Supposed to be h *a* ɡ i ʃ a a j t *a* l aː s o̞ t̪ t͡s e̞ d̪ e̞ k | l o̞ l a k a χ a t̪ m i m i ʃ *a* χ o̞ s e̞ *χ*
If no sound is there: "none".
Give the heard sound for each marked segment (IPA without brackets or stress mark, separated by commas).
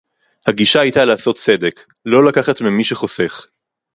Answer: a, a, e, χ